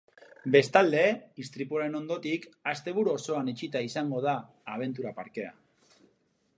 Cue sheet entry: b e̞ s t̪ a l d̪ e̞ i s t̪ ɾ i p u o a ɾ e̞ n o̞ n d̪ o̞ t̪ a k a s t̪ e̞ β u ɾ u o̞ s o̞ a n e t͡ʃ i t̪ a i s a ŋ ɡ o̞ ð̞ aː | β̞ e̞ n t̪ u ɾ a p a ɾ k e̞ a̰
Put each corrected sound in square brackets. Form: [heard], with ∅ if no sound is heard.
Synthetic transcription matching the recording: b e̞ s t̪ a l d̪ e̞ i s t̪ ɾ i p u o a ɾ e̞ n o̞ n d̪ o̞ t̪ [i] k a s t̪ e̞ β u ɾ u o̞ s o̞ a n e t͡ʃ i t̪ a i s a ŋ ɡ o̞ ð̞ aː | β̞ e̞ n t̪ u ɾ a p a ɾ k e̞ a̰